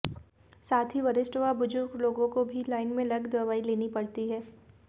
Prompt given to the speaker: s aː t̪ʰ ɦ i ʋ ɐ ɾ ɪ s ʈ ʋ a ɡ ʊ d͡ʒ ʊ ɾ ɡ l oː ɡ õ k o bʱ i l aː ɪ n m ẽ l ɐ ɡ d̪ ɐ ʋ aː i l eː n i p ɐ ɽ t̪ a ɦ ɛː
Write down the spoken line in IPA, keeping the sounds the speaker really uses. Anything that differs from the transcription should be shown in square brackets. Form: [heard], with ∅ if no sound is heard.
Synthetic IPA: s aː t̪ʰ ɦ i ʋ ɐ ɾ ɪ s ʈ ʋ a [b] ʊ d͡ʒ ʊ ɾ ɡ l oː ɡ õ k o bʱ i l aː ɪ n m ẽ l ɐ ɡ d̪ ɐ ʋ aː i l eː n i p ɐ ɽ t̪ [i] ɦ ɛː